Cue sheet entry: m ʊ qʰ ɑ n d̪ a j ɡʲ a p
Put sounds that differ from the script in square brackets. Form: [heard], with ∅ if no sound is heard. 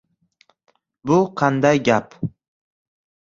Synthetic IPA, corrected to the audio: [b] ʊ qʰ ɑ n d̪ a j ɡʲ a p

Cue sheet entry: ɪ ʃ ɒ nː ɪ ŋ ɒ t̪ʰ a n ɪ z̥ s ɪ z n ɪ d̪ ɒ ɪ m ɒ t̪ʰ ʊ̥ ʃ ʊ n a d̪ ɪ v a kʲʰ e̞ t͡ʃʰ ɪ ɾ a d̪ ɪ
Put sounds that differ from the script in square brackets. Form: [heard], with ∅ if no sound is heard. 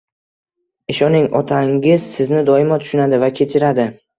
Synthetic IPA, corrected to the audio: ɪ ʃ ɒ [n] ɪ ŋ ɒ t̪ʰ a [ŋ] ɪ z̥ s ɪ z n ɪ d̪ ɒ ɪ m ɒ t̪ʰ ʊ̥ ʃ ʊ n a d̪ ɪ v a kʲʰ e̞ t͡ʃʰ ɪ ɾ a d̪ ɪ

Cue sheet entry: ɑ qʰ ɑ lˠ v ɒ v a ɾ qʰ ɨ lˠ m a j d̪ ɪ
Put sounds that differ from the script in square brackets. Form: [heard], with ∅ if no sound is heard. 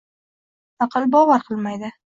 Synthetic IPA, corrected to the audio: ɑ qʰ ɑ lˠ [b] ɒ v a ɾ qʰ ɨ lˠ m a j d̪ ɪ

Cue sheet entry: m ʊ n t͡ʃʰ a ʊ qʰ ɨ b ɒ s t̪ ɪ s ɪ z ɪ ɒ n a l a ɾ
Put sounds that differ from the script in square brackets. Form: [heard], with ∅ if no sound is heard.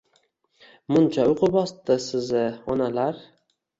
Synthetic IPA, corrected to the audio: m ʊ n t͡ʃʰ a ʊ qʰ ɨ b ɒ s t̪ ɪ s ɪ z ɪ ɒ n a l a ɾ

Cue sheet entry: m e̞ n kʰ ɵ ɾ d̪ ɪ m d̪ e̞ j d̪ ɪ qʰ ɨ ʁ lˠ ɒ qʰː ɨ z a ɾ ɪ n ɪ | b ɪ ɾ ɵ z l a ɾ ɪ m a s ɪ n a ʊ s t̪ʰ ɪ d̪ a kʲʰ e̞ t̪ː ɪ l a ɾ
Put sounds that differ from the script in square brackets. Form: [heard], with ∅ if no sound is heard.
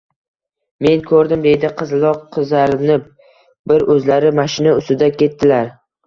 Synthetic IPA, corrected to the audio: m e̞ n kʰ ɵ ɾ d̪ ɪ m d̪ e̞ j d̪ ɪ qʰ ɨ [z] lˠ ɒ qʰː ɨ z a ɾ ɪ n ɪ | b ɪ ɾ ɵ z l a ɾ ɪ m a [ʃ] ɪ n a ʊ s [t̪] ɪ d̪ a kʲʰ e̞ t̪ː ɪ l a ɾ

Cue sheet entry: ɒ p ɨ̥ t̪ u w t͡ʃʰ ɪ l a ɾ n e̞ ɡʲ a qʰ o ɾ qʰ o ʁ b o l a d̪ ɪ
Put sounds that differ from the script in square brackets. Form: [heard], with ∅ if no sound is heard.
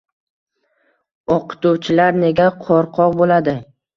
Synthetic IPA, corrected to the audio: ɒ [q] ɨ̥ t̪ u w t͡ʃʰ ɪ l a ɾ n e̞ ɡʲ a qʰ [ɒ] ɾ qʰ [ɒ] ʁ b o l a d̪ ɪ

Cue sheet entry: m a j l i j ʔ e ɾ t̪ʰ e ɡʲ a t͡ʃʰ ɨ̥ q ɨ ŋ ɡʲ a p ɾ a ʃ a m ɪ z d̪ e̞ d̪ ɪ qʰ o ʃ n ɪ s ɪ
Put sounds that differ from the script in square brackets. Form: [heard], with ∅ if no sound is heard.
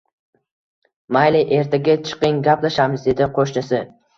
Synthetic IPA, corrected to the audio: m a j l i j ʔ e ɾ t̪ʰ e ɡʲ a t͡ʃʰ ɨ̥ q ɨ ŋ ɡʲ a p [l] a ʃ a m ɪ z d̪ e̞ d̪ ɪ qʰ o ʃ n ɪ s ɪ

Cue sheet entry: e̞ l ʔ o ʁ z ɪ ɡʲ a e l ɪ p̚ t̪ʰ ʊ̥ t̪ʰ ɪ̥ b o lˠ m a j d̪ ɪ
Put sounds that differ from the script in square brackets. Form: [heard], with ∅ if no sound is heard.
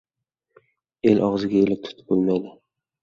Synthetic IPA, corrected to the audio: e̞ l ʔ [ɒ] ʁ z ɪ ɡʲ a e l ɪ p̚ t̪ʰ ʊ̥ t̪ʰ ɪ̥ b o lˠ m a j d̪ ɪ

